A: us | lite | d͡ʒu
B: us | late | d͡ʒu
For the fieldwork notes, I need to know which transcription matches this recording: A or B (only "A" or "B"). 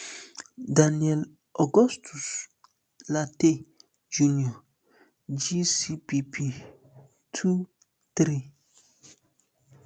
B